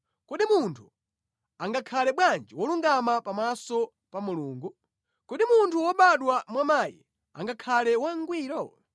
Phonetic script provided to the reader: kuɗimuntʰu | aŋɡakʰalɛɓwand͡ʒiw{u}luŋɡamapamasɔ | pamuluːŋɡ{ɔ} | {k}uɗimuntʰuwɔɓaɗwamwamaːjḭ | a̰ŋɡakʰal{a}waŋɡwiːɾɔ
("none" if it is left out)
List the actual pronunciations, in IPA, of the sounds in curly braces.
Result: ɔ, u, k, ɛ

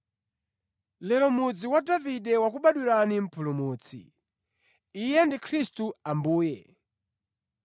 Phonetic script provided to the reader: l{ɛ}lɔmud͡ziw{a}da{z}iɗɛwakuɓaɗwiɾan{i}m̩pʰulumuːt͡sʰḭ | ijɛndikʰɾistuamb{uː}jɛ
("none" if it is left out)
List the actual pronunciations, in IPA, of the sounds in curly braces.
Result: ɛ, a, v, i, uː

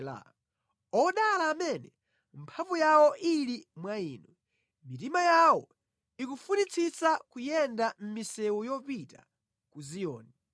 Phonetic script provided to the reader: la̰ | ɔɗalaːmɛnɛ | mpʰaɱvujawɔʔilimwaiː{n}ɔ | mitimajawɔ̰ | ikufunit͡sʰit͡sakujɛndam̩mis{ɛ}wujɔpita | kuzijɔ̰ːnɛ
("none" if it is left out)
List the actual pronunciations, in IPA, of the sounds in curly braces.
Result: n, ɛ

